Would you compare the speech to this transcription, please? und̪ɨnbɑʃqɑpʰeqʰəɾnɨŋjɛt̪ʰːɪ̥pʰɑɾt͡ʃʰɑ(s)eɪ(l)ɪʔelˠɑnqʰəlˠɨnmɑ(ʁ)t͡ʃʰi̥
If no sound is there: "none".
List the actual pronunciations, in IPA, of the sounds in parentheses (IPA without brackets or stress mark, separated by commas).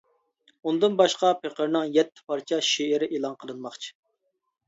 ʃ, ɾ, χ